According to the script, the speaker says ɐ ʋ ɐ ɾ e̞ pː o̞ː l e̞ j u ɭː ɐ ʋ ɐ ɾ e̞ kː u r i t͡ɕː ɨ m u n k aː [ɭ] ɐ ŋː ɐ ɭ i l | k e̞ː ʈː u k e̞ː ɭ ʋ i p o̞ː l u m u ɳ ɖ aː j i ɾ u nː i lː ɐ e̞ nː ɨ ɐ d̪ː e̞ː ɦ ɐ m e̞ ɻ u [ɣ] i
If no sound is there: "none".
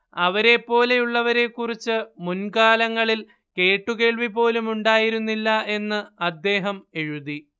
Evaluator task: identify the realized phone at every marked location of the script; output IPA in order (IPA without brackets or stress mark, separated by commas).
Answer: l, ð